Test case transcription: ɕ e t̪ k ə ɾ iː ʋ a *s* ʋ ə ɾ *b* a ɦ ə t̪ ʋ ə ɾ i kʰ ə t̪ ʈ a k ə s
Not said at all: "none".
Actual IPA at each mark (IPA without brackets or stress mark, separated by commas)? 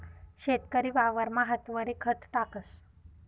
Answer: none, m